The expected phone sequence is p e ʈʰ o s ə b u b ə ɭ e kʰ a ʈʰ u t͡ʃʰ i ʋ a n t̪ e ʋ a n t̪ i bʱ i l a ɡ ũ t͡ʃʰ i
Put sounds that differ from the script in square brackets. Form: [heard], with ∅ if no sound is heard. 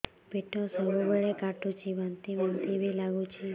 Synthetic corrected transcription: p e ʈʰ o s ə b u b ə ɭ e [k] a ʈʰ u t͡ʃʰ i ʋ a n t̪ [i] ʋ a n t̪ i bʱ i l a ɡ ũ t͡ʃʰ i